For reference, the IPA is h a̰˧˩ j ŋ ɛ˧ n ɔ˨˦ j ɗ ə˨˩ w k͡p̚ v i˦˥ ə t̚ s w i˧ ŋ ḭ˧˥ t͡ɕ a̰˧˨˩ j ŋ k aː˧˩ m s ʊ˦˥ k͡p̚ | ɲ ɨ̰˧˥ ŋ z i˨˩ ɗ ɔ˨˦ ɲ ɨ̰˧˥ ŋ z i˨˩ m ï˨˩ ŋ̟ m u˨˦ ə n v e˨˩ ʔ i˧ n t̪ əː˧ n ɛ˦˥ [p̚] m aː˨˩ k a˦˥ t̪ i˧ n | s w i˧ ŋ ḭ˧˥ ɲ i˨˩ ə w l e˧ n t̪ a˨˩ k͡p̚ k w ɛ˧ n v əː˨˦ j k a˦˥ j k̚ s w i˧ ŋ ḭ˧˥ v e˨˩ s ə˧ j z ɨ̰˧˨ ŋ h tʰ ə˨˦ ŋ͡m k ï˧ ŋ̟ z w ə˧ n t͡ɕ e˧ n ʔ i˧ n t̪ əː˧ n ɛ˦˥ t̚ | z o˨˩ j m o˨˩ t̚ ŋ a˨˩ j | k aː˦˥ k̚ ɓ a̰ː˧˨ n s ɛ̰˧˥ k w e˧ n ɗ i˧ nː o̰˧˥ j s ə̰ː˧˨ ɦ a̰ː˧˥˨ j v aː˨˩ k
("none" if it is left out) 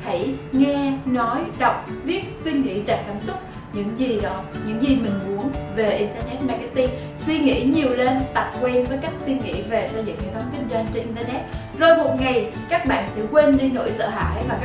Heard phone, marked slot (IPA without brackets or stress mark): t̚